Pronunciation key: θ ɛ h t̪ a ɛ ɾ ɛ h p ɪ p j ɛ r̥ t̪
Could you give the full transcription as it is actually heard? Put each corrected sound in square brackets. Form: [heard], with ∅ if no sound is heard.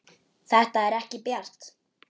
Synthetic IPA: θ ɛ h t̪ a ɛ ɾ ɛ h [c] ɪ p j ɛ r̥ t̪